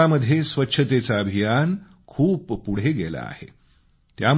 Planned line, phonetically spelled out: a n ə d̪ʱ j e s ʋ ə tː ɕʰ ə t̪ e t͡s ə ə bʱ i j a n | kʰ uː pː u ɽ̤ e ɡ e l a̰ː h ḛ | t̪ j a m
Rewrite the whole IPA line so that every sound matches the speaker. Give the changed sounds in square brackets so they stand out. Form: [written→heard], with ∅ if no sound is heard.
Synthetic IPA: a [n→m] ə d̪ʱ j e s ʋ ə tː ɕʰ ə t̪ e t͡s [ə→a] ə bʱ i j a n | kʰ uː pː u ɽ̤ e ɡ e l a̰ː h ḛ | t̪ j a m